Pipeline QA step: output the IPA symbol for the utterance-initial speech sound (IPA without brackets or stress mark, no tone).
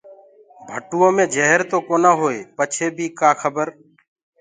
bʱ